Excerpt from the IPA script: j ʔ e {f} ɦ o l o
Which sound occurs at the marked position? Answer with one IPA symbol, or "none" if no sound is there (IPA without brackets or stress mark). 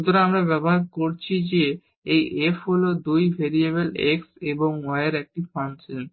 f